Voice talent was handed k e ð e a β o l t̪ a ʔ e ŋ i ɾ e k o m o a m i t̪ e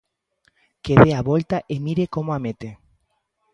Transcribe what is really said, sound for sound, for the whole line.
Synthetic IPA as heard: k e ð e a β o l t̪ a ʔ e m i ɾ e k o m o a m e t̪ e